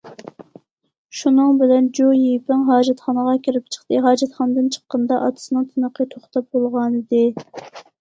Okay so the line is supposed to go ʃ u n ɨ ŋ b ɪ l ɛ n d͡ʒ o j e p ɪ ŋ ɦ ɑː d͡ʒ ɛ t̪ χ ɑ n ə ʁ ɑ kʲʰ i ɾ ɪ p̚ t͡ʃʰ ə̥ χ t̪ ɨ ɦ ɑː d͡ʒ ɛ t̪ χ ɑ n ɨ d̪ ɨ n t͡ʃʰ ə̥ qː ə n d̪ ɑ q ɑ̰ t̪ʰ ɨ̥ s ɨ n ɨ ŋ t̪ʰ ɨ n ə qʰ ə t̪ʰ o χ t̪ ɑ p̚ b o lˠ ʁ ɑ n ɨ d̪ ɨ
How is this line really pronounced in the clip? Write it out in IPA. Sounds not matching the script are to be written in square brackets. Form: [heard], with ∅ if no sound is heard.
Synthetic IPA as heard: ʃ u n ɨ ŋ b ɪ l ɛ n d͡ʒ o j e p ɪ ŋ ɦ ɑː d͡ʒ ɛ t̪ χ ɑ n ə ʁ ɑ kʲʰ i ɾ ɪ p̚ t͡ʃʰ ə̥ χ t̪ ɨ ɦ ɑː d͡ʒ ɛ t̪ χ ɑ n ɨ d̪ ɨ n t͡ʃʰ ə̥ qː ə n d̪ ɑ [ʔ] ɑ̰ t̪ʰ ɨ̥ s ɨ n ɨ ŋ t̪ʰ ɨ n ə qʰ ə t̪ʰ o χ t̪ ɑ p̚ b o lˠ ʁ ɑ n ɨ d̪ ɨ